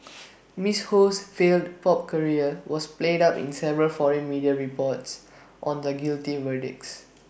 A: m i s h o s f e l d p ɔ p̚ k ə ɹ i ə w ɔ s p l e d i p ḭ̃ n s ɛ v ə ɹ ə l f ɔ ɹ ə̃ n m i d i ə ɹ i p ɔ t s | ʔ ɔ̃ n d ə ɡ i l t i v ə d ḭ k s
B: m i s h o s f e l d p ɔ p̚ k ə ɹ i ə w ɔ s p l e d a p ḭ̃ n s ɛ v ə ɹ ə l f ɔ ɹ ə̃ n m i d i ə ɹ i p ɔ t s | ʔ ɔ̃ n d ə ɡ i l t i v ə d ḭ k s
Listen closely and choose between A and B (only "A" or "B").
B